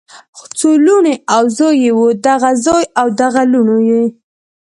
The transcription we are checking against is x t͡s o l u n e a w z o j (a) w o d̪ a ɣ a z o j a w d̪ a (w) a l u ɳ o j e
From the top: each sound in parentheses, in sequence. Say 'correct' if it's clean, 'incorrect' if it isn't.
incorrect, incorrect

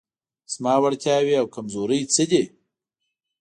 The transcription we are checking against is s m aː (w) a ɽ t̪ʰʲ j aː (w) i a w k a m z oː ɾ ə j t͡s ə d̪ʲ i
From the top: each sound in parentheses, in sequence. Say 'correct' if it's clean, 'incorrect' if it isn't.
correct, correct

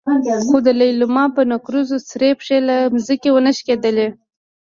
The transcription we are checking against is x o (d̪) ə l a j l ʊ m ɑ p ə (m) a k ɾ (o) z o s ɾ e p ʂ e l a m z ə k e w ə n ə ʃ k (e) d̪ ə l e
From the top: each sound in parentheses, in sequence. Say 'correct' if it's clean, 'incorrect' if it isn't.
correct, incorrect, incorrect, correct

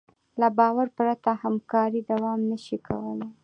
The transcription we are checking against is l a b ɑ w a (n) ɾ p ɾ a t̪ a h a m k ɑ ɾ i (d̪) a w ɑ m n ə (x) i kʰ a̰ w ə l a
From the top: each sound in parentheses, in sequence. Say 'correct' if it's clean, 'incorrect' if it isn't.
incorrect, correct, incorrect

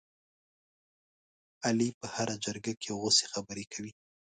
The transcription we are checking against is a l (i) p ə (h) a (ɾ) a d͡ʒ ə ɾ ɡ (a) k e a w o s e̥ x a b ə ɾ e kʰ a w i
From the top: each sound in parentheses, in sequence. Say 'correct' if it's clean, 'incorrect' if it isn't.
correct, correct, correct, correct

